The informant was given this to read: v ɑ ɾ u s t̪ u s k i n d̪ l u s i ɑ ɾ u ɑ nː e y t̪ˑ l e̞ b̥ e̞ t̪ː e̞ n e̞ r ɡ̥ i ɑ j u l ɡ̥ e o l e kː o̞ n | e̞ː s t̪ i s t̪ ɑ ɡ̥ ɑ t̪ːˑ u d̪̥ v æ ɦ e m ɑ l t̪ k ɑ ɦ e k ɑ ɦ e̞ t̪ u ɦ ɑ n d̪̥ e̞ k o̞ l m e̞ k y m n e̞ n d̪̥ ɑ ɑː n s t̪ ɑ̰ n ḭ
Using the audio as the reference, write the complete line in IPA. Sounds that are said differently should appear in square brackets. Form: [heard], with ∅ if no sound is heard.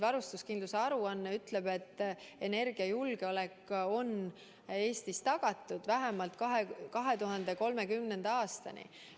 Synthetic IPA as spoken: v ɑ ɾ u s t̪ u s k i n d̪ l u s [e] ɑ ɾ u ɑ nː e y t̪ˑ l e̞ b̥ e̞ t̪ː e̞ n e̞ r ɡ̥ i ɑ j u l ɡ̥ e o l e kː o̞ n | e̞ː s t̪ i s t̪ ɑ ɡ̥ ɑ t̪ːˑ u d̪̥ v æ ɦ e m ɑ l t̪ k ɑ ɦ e k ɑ ɦ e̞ t̪ u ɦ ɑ n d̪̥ e̞ k o̞ l m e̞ k y m n e̞ n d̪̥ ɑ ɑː [∅] s t̪ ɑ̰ n ḭ

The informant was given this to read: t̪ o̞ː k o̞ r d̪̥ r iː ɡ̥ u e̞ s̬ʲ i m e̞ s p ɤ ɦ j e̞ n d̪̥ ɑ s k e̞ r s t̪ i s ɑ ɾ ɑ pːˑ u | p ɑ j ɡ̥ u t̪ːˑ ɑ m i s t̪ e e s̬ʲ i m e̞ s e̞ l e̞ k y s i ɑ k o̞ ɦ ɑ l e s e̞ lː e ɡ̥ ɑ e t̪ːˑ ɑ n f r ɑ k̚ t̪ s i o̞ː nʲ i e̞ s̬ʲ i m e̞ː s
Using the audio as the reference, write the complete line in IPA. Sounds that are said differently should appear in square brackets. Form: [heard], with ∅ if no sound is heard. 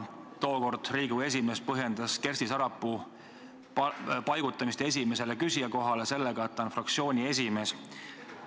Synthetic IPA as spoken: t̪ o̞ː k o̞ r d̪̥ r iː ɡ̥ u e̞ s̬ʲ i m e̞ s p ɤ ɦ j e̞ n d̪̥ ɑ s k e̞ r s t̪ i s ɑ ɾ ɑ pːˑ u | p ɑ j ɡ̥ u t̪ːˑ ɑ m i s t̪ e e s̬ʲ i m e̞ s e̞ l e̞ k y s i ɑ k o̞ ɦ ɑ l e s e̞ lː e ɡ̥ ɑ e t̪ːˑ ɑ n f r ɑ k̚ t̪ s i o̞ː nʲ i e̞ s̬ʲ i m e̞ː s

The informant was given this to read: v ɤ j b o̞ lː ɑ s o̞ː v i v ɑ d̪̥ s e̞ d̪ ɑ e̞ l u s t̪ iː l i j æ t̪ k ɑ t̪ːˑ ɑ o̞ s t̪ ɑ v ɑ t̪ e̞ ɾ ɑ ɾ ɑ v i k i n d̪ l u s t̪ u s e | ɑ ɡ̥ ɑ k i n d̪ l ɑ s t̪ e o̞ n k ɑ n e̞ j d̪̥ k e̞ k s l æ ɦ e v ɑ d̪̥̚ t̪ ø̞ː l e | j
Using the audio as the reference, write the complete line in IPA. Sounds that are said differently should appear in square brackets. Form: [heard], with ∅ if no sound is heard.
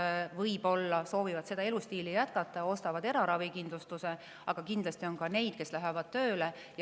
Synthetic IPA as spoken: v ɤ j b o̞ lː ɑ s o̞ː v i v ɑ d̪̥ s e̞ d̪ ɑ e̞ l u s t̪ iː l i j æ t̪ k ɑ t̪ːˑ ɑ o̞ s t̪ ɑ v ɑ [d̪] e̞ ɾ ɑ ɾ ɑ v i k i n d̪ l u s t̪ u s e | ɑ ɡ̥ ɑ k i n d̪ l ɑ s t̪ [i] o̞ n k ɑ n e̞ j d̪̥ k e̞ [∅] s l æ ɦ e v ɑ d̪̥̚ t̪ ø̞ː l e | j

